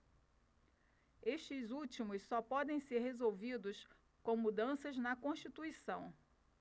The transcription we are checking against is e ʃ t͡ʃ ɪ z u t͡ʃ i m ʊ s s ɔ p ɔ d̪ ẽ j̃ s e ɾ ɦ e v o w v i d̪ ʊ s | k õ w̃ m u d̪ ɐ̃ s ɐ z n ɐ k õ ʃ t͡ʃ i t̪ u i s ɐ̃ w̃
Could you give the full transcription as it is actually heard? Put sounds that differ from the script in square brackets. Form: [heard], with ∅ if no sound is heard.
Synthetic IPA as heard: e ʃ t͡ʃ ɪ z u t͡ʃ i m ʊ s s ɔ p ɔ d̪ ẽ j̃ s e ɾ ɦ e [z] o w v i d̪ ʊ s | k õ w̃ m u d̪ ɐ̃ s ɐ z n ɐ k õ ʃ t͡ʃ i t̪ u i s ɐ̃ w̃